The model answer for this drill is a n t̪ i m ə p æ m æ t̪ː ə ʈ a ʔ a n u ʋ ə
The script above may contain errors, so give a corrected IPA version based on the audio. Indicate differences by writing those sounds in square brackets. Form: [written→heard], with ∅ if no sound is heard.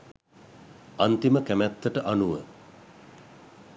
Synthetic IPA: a n t̪ i m ə [p→k] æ m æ t̪ː ə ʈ [a→ə] ʔ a n u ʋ ə